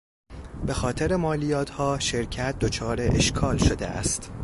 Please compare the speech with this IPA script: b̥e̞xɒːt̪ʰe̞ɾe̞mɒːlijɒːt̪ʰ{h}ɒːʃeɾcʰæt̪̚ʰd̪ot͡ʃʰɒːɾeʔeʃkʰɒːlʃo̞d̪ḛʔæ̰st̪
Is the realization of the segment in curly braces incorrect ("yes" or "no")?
no